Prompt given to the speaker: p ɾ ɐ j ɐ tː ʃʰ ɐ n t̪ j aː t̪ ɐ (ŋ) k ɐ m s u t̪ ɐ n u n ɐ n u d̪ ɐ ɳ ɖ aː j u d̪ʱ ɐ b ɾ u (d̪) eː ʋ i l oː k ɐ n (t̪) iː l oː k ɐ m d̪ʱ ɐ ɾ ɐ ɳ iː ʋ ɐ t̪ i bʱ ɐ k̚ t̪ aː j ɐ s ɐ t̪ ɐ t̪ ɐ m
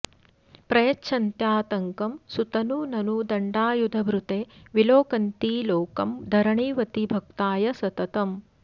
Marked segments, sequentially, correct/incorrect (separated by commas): correct, incorrect, correct